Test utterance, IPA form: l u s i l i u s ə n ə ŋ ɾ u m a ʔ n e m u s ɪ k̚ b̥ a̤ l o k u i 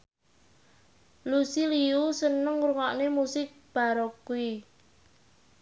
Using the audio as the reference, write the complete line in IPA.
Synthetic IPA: l u s i l i u s ə n ə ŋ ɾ u ŋ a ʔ n e m u s ɪ k̚ b̥ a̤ ɾ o k u i